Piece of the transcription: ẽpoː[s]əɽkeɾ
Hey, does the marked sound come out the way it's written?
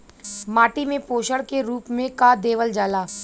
no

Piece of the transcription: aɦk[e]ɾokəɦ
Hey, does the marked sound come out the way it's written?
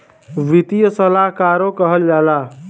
no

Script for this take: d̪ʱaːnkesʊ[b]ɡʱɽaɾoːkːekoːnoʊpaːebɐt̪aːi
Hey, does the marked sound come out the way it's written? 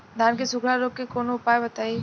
no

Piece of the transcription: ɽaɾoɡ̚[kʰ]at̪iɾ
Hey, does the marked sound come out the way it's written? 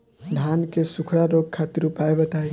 yes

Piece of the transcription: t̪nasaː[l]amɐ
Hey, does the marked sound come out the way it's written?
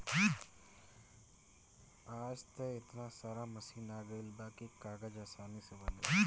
no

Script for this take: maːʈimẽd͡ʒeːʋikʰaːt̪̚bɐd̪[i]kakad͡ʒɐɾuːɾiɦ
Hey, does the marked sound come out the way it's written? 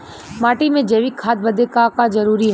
no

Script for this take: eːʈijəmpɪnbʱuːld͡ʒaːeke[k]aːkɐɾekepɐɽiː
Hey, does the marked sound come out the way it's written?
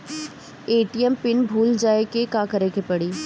yes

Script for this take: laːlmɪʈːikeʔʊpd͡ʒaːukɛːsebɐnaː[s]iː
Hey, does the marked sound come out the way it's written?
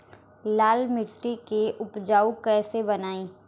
no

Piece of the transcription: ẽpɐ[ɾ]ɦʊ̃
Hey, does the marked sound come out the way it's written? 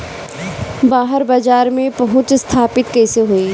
no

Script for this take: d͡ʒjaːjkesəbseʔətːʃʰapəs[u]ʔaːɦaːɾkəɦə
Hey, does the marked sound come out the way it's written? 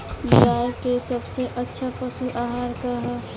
yes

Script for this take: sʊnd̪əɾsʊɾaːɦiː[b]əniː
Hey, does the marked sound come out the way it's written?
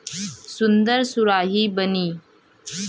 yes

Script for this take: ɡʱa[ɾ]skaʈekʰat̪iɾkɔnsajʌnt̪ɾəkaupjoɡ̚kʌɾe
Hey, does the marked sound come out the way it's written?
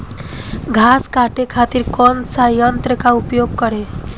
no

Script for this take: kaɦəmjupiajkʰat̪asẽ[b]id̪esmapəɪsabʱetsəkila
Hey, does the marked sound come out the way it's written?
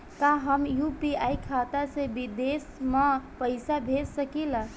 yes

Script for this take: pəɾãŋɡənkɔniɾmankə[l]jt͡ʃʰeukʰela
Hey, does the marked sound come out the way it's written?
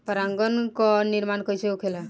no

